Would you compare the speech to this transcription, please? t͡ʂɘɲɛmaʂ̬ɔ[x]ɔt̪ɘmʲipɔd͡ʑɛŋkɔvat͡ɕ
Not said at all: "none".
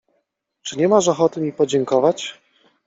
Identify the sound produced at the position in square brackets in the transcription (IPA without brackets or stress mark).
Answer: x